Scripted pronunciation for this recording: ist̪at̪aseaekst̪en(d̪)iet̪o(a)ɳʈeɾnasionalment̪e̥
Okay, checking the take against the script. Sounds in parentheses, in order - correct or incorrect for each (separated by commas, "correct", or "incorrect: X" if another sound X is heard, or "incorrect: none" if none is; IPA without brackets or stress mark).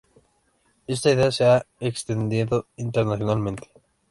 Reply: correct, incorrect: i